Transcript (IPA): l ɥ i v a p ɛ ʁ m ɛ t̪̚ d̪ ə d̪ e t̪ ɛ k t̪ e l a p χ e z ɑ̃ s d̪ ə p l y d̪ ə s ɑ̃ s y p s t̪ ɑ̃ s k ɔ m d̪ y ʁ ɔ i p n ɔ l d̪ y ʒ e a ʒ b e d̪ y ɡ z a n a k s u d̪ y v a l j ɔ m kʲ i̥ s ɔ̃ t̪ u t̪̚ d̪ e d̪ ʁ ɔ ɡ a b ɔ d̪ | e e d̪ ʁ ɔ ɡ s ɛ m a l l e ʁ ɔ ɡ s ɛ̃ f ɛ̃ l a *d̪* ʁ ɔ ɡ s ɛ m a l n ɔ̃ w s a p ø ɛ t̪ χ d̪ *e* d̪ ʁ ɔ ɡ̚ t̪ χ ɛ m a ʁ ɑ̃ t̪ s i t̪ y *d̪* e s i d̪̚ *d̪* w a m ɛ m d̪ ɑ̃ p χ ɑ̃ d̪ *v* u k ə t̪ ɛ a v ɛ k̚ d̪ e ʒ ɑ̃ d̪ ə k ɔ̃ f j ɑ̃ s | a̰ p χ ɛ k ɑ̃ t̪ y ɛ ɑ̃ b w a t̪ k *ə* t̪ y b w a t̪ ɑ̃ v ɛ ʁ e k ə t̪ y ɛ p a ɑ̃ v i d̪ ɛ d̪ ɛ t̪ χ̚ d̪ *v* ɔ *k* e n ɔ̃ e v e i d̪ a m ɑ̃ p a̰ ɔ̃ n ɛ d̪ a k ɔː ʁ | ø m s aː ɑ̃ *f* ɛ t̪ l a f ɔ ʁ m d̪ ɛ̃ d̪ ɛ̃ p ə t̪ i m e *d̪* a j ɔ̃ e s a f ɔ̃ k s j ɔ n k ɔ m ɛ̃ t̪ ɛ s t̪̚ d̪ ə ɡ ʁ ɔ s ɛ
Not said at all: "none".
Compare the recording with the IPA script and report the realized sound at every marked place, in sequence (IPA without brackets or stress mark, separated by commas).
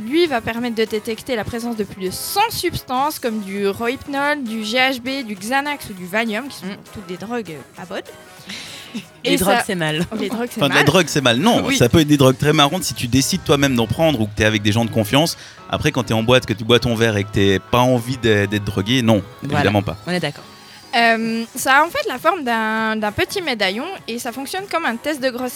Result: d̪, e, d̪, t̪, ʁ, ə, ʁ, ɡ, f, d̪